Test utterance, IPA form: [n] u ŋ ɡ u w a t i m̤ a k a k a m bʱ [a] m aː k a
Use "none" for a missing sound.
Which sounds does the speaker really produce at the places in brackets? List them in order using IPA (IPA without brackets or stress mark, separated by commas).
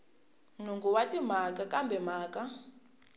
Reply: n, ɛ